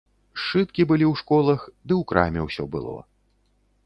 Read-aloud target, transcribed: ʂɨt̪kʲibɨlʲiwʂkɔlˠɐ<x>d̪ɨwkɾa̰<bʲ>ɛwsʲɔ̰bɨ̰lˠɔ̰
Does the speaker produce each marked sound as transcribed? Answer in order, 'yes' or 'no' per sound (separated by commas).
yes, no